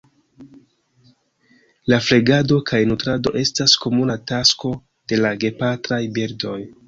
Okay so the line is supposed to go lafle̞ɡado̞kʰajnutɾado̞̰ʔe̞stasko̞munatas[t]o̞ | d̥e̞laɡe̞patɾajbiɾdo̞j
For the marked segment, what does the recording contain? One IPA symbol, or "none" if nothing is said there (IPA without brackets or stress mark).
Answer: k